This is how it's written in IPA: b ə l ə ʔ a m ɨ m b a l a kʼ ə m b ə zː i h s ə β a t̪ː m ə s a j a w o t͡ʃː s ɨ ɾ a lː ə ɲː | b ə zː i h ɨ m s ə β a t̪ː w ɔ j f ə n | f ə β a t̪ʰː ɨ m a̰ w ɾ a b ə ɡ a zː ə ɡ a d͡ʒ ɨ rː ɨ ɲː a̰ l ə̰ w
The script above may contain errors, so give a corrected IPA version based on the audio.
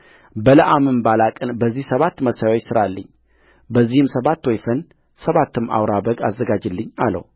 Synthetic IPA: b ə l ə ʔ a m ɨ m b a l a kʼ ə n b ə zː i h s ə β a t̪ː m ə s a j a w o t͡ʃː s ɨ ɾ a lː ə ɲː | b ə zː i h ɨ m s ə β a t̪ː w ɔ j f ə n | s ə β a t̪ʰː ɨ m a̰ w ɾ a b ə ɡ a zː ə ɡ a d͡ʒ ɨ lː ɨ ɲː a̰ l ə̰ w